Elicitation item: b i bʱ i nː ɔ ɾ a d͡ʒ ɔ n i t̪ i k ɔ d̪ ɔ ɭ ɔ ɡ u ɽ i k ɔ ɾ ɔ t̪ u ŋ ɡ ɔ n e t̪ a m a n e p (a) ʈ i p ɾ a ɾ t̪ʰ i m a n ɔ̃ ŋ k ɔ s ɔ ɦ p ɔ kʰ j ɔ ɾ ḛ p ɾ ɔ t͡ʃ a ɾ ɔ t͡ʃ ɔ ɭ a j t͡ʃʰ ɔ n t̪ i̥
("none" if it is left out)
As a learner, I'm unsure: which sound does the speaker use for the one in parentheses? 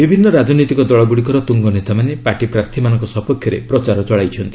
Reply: a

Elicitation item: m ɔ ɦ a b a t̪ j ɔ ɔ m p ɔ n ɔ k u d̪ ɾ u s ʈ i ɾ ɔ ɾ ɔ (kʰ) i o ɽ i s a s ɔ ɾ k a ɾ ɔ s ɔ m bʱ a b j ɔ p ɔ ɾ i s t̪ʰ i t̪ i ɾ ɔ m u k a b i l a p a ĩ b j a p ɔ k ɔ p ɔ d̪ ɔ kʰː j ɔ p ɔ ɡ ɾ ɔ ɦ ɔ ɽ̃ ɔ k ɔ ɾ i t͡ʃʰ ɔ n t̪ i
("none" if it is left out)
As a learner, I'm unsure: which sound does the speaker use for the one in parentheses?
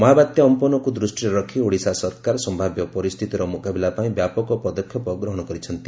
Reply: kʰ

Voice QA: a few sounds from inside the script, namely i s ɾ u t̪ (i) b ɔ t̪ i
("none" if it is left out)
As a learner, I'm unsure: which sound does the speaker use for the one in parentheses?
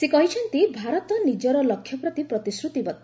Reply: i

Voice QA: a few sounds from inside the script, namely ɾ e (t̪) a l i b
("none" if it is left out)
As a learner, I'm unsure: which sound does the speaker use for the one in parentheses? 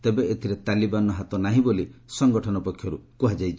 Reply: t̪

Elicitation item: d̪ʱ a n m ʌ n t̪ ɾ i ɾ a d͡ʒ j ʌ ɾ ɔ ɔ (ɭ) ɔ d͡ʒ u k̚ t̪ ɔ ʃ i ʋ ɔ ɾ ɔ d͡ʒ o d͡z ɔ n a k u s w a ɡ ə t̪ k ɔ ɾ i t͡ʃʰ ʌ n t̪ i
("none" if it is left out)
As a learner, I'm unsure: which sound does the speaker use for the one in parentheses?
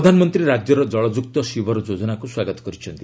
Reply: ɭ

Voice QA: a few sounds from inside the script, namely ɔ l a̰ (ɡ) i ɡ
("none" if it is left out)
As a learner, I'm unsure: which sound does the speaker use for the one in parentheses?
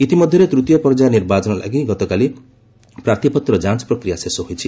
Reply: ɡ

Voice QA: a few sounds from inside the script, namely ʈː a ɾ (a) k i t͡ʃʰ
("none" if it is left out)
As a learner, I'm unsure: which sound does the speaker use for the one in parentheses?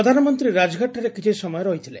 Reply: e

